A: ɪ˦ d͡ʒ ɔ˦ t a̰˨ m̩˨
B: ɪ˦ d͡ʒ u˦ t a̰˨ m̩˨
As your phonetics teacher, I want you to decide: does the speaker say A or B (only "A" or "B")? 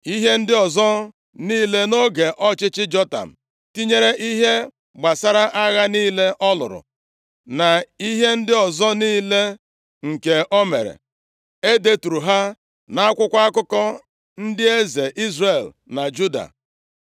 A